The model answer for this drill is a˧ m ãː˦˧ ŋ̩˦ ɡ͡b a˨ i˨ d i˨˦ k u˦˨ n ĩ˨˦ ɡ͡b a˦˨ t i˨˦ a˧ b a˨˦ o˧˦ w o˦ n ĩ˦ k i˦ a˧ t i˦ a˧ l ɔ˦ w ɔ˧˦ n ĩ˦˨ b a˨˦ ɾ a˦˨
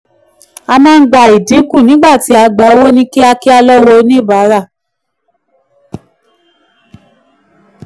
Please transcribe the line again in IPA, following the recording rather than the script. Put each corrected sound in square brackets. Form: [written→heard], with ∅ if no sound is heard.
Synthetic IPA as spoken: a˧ m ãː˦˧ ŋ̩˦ ɡ͡b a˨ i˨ d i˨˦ k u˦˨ n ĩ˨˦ ɡ͡b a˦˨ t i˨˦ a˧ [b→ɡ͡b] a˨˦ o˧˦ w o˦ n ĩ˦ k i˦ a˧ [t→k] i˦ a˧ l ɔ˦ w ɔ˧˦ n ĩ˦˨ b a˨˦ ɾ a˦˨